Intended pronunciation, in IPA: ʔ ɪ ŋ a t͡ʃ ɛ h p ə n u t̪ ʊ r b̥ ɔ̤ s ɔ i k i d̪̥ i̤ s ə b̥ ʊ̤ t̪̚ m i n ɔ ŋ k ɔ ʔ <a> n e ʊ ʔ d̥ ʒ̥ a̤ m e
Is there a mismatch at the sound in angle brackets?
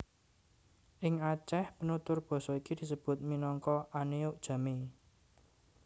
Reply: no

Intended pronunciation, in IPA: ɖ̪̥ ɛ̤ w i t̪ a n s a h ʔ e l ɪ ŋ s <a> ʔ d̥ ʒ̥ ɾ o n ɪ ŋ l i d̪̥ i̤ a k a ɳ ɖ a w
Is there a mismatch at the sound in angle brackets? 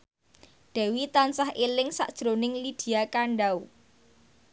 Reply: no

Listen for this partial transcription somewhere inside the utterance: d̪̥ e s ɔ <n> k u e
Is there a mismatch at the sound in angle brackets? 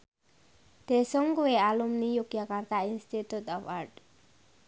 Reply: yes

